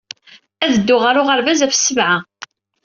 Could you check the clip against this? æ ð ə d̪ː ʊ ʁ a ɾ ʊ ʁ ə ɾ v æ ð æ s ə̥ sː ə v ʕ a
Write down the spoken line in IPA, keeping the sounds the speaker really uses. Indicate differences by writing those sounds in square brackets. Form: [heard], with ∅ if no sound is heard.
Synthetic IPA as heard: æ ð ə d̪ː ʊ ʁ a ɾ ʊ ʁ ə ɾ v æ [z] æ [f] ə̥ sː ə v ʕ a